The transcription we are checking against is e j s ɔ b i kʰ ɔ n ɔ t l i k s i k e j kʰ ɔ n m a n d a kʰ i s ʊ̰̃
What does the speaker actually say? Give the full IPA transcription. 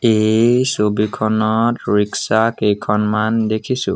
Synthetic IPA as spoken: e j s o b i kʰ ɔ n ɔ t ɹ i k s a k e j kʰ ɔ n m a n d e kʰ i s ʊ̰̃